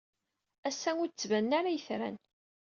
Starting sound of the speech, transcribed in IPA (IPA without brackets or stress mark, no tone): æ